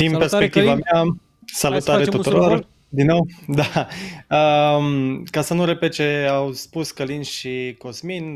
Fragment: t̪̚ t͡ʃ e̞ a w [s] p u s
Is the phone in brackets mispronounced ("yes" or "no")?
no